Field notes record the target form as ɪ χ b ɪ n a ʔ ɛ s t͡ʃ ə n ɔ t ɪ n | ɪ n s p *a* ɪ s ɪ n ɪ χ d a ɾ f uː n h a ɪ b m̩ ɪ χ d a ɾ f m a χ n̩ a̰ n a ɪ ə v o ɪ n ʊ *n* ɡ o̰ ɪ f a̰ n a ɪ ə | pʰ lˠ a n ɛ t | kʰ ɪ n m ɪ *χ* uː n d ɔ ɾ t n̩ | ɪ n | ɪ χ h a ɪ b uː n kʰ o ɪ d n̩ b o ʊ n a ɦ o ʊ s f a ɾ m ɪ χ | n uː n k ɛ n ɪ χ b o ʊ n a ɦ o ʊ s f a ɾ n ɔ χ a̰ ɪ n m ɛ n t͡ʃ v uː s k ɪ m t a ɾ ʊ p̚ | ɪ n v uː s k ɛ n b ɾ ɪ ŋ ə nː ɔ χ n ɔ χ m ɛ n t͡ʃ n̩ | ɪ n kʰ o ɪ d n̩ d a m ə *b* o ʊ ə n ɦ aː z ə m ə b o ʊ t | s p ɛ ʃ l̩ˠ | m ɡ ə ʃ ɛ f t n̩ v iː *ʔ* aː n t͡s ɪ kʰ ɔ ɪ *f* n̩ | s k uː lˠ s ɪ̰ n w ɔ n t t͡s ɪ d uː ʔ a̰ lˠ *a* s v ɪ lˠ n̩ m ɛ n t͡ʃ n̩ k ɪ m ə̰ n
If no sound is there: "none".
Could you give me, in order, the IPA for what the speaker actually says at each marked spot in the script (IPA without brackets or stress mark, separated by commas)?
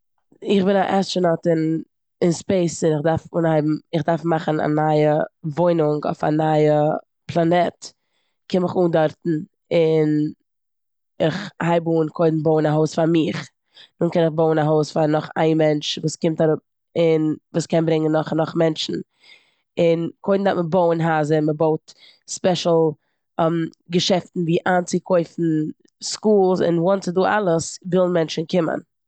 e, ŋ, χ, b, ʔ, f, ə